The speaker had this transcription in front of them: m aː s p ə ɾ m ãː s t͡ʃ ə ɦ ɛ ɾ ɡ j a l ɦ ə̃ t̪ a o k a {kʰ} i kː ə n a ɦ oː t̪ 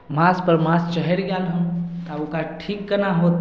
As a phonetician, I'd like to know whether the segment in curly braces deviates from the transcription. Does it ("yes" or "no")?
yes